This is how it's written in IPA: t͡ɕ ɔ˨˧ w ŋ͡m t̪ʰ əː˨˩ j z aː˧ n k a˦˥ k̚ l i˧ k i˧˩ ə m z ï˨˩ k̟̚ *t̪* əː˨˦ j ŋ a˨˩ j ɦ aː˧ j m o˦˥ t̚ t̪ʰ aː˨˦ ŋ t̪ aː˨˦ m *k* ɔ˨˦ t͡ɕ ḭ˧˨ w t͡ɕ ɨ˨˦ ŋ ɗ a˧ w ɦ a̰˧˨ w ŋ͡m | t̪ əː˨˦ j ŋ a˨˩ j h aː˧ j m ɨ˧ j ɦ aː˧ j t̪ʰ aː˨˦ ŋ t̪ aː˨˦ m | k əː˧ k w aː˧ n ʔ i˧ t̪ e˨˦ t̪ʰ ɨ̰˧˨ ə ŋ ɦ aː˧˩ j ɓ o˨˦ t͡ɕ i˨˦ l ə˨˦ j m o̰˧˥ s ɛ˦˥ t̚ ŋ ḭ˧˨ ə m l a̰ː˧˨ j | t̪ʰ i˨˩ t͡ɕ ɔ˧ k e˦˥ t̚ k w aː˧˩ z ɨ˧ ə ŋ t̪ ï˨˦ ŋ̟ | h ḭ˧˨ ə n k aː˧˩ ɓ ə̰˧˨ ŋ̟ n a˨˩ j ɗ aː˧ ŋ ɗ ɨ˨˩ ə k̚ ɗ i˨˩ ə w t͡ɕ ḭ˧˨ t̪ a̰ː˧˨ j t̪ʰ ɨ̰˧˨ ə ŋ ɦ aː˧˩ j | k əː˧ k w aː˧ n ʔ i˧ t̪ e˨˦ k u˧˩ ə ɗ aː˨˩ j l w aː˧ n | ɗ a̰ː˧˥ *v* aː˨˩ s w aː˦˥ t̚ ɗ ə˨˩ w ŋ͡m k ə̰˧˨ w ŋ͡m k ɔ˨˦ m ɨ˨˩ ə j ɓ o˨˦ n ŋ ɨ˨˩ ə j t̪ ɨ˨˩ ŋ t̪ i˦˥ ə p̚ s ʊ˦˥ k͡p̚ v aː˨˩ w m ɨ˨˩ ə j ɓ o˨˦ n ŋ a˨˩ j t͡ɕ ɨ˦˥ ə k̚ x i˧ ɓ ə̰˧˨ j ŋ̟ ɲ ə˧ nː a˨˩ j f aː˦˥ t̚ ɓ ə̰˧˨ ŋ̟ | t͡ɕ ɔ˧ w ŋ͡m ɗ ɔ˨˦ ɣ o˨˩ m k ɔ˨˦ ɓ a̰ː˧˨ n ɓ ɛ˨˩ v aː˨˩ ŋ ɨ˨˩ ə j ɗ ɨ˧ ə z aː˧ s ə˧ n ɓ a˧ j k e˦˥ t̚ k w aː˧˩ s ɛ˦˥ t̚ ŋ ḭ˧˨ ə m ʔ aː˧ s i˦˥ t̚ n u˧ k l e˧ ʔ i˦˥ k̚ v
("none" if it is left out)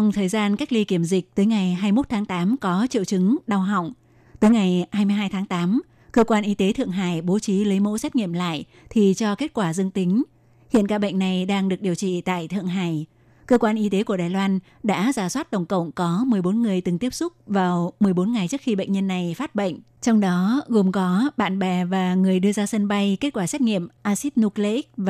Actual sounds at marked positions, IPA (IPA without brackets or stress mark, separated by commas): t̪, k, z